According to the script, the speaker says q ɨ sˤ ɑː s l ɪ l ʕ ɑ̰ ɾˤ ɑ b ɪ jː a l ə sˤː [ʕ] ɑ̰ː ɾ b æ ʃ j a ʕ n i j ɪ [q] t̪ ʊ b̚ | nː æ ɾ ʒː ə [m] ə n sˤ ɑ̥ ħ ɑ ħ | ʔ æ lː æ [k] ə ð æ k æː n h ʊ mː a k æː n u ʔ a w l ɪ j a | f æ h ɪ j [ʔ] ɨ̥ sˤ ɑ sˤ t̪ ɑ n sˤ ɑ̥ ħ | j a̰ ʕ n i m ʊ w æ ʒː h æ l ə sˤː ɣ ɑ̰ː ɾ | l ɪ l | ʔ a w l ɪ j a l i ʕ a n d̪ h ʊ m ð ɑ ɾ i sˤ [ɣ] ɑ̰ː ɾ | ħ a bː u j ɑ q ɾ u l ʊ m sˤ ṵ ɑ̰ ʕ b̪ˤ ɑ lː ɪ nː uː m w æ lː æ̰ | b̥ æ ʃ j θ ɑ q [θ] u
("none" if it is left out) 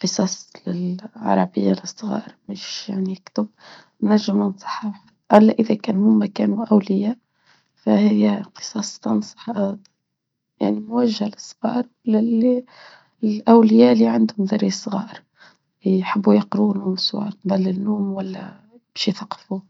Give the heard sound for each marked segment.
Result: ɣ, k, m, ʔ, q, ɣ, f

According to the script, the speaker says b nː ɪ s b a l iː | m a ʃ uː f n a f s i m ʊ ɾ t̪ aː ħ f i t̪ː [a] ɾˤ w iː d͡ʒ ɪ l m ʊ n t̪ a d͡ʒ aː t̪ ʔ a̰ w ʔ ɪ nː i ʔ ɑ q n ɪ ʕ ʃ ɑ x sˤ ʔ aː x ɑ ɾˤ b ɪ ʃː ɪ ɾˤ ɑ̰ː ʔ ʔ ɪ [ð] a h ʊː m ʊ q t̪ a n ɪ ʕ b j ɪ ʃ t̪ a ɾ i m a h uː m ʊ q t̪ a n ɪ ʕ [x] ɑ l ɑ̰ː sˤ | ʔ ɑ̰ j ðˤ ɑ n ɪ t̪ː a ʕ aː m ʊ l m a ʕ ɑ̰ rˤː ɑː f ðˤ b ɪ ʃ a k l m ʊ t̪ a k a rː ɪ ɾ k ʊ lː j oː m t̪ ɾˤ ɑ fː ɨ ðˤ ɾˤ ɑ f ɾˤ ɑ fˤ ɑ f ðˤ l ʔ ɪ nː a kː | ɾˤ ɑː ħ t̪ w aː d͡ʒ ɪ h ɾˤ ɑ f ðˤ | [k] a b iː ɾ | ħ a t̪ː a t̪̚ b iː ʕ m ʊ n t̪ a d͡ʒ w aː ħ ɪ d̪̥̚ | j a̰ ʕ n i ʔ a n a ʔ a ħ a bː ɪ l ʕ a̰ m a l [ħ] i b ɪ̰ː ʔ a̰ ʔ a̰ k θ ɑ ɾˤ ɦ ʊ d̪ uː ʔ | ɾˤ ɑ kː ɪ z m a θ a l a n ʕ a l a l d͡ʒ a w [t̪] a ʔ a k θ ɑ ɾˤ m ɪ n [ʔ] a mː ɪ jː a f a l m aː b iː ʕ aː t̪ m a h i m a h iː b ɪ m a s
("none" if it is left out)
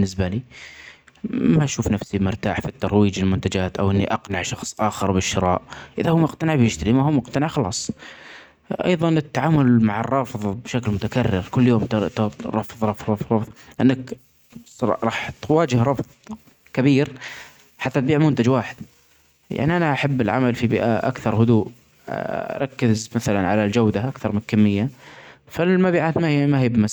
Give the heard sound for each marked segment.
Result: ɑ, ð, x, k, f, d̪, k

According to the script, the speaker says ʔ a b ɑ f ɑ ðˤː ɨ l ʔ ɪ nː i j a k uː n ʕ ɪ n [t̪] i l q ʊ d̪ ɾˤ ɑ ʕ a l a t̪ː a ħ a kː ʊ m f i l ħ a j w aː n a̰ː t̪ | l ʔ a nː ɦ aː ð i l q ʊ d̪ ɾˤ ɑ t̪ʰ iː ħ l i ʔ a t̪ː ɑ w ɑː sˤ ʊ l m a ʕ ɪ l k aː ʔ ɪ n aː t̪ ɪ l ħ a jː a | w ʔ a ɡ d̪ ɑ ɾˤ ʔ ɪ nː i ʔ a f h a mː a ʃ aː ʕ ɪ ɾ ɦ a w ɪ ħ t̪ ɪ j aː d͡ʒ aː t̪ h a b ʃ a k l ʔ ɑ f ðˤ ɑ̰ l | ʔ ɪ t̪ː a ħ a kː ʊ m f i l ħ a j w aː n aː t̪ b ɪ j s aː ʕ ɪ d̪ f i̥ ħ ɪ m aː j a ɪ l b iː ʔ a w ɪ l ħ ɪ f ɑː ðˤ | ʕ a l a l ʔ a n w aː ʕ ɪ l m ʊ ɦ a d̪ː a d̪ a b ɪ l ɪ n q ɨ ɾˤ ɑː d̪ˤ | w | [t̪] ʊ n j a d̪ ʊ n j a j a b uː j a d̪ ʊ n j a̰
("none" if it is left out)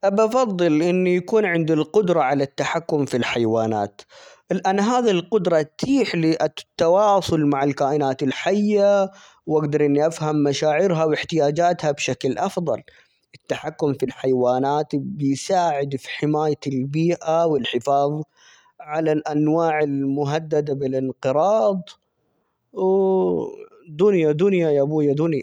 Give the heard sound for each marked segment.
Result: d̪, d̪

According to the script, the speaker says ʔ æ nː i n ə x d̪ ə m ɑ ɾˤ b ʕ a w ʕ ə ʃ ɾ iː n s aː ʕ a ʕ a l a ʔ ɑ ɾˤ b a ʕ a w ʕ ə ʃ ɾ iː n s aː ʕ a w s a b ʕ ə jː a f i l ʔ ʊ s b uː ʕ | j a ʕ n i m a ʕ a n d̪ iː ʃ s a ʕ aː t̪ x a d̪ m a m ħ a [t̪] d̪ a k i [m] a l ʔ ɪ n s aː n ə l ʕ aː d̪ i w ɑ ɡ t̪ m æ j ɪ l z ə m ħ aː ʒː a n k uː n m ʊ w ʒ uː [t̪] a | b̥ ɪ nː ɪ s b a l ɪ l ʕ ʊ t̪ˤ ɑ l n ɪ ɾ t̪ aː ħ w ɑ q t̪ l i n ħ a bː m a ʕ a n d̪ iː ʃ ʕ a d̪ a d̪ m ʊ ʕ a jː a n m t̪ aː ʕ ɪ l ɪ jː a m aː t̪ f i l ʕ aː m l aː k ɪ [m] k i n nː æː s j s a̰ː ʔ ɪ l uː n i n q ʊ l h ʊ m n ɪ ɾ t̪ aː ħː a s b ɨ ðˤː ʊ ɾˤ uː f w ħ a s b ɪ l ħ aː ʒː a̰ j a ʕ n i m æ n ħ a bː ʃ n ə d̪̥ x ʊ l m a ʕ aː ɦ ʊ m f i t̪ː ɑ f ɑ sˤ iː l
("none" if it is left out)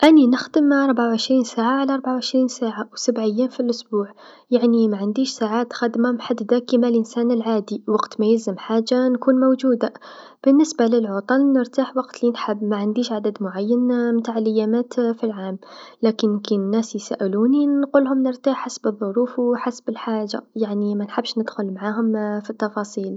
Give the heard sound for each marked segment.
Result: d̪, m, d̪, n

